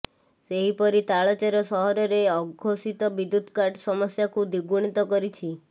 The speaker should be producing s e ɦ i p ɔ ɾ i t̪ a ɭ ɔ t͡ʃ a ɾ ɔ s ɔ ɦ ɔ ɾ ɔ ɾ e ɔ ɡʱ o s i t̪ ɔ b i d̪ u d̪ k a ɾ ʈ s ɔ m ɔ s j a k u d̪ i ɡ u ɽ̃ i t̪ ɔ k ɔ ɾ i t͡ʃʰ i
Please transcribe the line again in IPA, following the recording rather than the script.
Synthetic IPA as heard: s e ɦ i p ɔ ɾ i t̪ a ɭ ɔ t͡ʃ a ɾ ɔ s ɔ ɦ ɔ ɾ ɔ ɾ e ɔ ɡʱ o s i t̪ ɔ b i d̪ u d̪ k a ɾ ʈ s ɔ m ɔ s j a k u d̪ i ɡ u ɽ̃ i t̪ ɔ k ɔ ɾ i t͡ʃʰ i